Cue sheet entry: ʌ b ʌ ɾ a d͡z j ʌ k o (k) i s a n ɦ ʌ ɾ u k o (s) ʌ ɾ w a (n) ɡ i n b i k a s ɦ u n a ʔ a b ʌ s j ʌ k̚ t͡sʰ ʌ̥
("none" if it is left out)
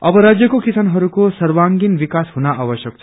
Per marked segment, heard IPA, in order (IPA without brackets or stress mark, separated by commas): k, s, ŋ